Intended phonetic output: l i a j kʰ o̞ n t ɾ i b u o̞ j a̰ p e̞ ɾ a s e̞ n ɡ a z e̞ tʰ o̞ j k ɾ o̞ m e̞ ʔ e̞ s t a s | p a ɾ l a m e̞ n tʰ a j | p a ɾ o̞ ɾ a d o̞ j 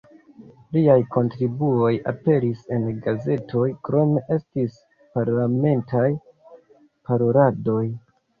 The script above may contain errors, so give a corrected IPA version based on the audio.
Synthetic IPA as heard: l i a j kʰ o̞ n t ɾ i b u o̞ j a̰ p e̞ ɾ i s e̞ n ɡ a z e̞ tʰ o̞ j k ɾ o̞ m e̞ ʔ e̞ s t i s | p a ɾ l a m e̞ n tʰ a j | p a ɾ o̞ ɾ a d o̞ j